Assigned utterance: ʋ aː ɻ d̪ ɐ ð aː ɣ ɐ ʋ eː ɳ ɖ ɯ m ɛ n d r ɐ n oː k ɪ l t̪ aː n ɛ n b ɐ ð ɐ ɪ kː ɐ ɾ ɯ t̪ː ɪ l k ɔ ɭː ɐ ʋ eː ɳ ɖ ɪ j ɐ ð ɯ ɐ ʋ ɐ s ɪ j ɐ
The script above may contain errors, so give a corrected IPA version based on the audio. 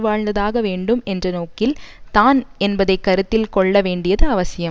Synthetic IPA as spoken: ʋ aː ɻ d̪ ɐ ð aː ɣ ɐ ʋ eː ɳ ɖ ɯ m ɛ n d r ɐ n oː k ɪ l t̪ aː n ɛ n b ɐ ð ɐ ɪ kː ɐ ɾ ɯ t̪ː ɪ l k ɔ ɭː ɐ ʋ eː ɳ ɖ ɪ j ɐ ð ɯ ɐ ʋ ɐ s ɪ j ɐ

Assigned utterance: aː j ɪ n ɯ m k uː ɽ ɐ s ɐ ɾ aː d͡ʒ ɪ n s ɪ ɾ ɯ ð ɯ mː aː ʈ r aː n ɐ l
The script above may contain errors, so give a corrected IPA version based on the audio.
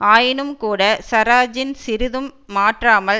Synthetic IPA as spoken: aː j ɪ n ɯ m k uː ɽ ɐ s ɐ ɾ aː d͡ʒ ɪ n s ɪ ɾ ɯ ð ɯ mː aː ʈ r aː m ɐ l

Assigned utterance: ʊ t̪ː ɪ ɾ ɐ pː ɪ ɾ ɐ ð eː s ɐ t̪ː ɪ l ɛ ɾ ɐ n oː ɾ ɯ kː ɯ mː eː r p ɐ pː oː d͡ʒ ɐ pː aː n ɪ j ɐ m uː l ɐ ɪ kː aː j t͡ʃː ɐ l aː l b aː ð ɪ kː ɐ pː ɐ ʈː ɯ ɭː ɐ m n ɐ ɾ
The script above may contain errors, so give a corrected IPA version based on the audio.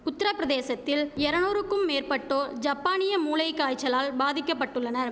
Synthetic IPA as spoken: ʊ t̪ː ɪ ɾ ɐ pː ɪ ɾ ɐ ð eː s ɐ t̪ː ɪ l ɛ ɾ ɐ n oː ɾ ɯ kː ɯ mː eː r p ɐ ʈː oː d͡ʒ ɐ pː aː n ɪ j ɐ m uː l ɐ ɪ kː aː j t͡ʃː ɐ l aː l b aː ð ɪ kː ɐ pː ɐ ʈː ɯ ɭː ɐ n ɐ ɾ

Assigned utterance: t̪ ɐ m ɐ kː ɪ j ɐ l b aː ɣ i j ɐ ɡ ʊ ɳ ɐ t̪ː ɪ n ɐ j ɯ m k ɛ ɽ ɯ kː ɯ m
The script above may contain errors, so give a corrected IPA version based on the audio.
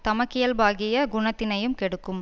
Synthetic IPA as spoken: t̪ ɐ m ɐ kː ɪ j ɐ l b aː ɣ ɪ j ɐ ɡ ʊ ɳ ɐ t̪ː ɪ n ɐ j ɯ m k ɛ ɽ ɯ kː ɯ m

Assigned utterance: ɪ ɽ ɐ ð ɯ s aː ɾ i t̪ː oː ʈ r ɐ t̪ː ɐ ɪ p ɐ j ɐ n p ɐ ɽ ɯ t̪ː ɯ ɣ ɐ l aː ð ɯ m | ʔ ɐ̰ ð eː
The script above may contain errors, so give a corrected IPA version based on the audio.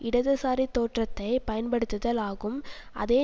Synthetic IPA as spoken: ɪ ɽ ɐ ð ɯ s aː ɾ i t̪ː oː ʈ r ɐ t̪ː ɐ ɪ p ɐ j ɐ n p ɐ ɽ ɯ t̪ː ɯ ð ɐ l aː ɣ ɯ m | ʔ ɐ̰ ð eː

